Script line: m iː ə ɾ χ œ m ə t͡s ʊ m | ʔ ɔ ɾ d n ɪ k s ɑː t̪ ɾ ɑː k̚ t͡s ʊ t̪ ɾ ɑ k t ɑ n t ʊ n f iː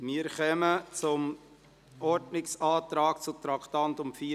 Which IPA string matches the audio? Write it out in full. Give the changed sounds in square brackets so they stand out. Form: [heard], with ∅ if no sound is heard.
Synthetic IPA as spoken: m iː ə ɾ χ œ m ə t͡s ʊ m | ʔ ɔ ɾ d n ɪ k s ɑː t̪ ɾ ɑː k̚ t͡s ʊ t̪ ɾ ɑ k t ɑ n t ʊ [m] f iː